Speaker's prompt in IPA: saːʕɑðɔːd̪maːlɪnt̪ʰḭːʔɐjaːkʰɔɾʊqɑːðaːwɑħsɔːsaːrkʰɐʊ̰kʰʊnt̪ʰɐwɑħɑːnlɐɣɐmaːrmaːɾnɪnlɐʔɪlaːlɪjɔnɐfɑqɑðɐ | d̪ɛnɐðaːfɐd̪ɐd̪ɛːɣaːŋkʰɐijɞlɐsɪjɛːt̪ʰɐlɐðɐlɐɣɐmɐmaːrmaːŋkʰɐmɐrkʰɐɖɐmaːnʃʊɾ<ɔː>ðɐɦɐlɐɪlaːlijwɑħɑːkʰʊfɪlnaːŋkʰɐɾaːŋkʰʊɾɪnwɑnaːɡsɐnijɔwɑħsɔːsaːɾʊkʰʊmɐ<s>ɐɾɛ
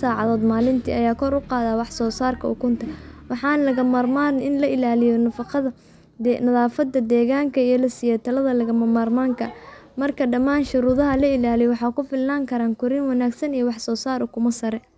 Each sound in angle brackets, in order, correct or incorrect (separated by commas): incorrect, correct